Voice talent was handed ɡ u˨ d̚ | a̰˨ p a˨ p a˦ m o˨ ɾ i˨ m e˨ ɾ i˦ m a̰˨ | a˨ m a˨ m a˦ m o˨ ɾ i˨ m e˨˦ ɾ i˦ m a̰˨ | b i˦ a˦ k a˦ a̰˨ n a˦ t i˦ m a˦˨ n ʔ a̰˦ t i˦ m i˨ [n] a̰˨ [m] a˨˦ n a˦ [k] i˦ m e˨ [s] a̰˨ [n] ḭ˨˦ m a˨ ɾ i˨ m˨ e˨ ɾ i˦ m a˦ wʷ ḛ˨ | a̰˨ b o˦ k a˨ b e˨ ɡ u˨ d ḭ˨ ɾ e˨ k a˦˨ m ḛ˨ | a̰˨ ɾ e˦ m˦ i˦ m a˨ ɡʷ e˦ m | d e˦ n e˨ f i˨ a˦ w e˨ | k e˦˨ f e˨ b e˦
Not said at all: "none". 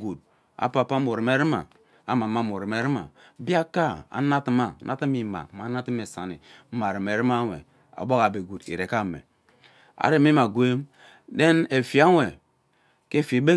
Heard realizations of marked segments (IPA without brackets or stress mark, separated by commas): m, m, t, s, n